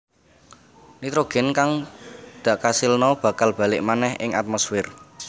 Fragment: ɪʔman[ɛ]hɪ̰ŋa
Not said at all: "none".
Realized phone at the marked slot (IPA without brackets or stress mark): ɛ